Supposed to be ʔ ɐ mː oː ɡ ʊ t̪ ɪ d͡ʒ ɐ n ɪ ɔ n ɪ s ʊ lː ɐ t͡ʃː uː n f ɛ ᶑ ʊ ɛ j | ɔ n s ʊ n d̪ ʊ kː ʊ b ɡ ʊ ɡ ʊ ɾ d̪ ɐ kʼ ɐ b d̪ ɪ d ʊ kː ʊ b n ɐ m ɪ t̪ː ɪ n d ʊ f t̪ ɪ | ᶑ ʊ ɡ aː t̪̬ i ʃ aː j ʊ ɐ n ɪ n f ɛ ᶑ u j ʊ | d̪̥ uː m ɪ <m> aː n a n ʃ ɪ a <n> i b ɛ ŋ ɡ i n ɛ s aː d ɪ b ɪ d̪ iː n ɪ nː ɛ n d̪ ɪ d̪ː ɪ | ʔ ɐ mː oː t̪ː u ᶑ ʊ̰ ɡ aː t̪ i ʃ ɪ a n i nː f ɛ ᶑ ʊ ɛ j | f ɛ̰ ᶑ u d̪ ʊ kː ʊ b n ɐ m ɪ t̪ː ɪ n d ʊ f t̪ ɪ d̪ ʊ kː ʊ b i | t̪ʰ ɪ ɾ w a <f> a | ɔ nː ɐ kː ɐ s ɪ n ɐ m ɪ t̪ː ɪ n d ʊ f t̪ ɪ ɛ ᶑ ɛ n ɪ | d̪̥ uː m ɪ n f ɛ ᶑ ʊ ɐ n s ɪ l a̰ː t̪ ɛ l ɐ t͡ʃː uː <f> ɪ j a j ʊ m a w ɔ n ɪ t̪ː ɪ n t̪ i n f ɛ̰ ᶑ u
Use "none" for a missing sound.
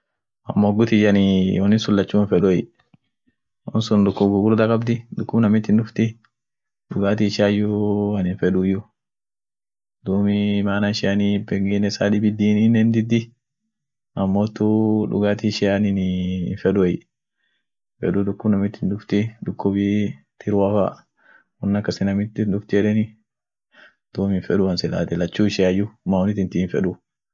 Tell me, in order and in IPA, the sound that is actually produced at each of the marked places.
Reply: m, n, f, ʃ

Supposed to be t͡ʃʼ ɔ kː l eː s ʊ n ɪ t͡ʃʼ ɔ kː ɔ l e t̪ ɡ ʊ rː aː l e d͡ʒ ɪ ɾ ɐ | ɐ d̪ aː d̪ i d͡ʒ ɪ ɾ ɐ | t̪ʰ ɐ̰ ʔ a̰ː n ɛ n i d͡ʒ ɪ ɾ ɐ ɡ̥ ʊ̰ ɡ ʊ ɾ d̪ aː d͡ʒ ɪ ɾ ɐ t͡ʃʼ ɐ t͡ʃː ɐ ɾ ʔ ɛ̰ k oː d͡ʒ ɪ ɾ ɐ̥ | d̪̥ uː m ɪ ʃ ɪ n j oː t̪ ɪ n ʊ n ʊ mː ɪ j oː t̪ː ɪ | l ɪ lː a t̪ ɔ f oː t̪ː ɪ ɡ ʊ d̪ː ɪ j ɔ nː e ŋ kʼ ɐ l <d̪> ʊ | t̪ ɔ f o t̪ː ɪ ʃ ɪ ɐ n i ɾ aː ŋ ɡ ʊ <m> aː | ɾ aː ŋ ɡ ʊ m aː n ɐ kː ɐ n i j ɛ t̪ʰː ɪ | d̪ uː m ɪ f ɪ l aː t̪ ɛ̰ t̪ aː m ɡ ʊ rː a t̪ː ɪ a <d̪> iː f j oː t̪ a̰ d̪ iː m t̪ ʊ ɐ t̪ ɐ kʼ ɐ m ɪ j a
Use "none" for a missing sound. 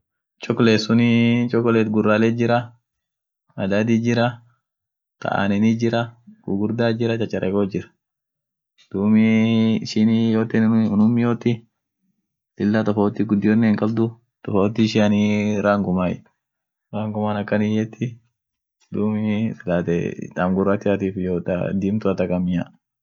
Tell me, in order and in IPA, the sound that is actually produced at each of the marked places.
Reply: d̪, m, t̪

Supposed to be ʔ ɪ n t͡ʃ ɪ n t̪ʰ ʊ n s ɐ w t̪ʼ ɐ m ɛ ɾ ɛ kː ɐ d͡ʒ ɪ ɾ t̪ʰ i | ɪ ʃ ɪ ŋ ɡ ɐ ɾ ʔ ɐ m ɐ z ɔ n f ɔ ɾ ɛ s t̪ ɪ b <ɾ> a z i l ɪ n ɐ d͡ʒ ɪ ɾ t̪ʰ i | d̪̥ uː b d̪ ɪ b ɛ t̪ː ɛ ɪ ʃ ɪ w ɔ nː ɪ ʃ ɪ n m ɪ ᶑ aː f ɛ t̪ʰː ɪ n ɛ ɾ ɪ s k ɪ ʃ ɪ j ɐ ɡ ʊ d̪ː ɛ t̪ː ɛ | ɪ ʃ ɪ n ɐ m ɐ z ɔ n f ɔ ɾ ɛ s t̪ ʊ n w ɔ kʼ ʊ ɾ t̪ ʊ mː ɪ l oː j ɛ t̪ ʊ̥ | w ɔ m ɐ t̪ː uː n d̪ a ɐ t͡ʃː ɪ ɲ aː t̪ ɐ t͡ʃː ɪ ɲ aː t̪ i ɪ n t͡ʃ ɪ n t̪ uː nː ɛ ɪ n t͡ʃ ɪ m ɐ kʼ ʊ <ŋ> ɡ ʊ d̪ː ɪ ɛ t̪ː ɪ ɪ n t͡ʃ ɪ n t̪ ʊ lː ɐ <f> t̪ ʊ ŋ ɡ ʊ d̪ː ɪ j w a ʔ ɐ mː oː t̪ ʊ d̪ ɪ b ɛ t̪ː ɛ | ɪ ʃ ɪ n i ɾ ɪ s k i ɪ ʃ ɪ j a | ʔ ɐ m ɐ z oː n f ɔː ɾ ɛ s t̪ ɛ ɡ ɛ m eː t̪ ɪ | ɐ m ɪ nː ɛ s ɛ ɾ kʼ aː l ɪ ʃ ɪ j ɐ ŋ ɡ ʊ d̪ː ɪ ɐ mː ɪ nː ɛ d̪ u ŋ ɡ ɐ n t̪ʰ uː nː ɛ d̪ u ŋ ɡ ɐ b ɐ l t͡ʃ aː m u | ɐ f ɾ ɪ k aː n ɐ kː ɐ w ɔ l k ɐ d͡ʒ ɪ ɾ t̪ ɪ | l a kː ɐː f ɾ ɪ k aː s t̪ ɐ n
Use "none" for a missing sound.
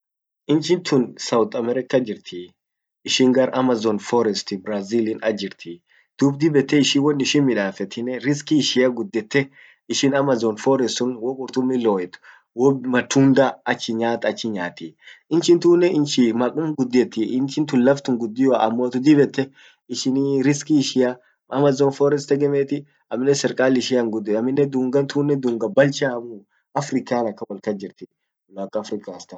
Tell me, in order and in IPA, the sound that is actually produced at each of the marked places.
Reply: ɾ, m, f

